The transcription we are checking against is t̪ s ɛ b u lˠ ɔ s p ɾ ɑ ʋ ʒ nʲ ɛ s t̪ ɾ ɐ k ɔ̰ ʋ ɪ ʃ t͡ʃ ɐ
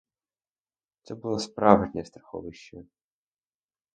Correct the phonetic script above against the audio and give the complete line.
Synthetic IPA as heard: t̪ s ɛ b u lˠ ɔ s p ɾ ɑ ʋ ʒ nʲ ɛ s t̪ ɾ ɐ x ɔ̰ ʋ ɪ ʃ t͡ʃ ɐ